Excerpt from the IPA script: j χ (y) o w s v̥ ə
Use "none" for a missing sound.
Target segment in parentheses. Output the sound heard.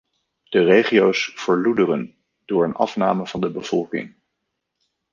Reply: i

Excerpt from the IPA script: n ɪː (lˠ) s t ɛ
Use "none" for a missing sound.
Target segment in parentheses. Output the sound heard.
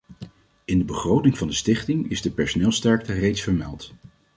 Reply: lˠ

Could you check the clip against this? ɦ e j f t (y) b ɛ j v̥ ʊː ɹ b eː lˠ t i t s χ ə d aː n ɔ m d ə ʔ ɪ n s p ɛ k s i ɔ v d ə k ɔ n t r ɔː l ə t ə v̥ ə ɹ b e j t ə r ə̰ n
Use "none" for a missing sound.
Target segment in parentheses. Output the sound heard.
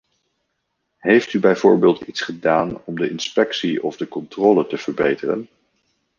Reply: y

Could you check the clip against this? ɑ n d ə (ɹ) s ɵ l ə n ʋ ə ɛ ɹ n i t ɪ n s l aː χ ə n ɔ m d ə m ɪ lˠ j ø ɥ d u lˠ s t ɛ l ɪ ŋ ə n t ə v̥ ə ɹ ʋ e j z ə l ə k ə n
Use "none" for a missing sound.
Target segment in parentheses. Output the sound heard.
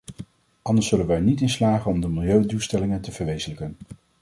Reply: ɹ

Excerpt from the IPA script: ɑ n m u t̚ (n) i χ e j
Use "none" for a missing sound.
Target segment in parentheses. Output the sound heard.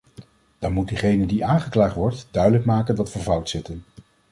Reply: d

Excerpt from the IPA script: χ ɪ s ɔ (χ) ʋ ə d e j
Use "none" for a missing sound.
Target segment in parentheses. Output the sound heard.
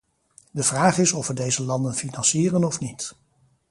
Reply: f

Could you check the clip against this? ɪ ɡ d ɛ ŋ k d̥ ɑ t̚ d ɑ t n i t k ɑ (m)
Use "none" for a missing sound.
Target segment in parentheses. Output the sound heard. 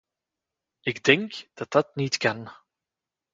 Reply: n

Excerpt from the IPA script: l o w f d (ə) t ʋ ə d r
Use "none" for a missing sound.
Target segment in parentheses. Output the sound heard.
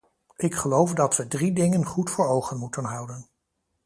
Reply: ɑ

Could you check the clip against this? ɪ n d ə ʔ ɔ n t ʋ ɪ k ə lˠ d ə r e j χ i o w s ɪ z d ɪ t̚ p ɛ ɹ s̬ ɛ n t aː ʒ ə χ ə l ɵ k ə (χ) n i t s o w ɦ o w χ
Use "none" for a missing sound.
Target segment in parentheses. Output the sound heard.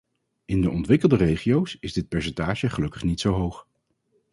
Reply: χ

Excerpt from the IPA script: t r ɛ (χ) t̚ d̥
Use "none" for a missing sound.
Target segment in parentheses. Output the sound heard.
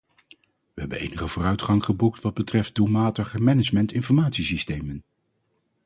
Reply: f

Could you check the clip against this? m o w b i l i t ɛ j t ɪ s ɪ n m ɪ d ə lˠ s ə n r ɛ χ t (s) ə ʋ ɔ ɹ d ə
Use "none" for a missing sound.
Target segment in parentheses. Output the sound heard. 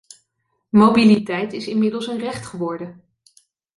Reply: χ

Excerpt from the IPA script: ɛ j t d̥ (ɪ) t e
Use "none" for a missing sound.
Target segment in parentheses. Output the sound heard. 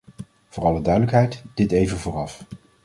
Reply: ɪ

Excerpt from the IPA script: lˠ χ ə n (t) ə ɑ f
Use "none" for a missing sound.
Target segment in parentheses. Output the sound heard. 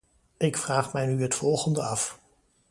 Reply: d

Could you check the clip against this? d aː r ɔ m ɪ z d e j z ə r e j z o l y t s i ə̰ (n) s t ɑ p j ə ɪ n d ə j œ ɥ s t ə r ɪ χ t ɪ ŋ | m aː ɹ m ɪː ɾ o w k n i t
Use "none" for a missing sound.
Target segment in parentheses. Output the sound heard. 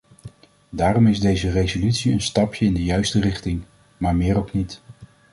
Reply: n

